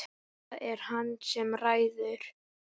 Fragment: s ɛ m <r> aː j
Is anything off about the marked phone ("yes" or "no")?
no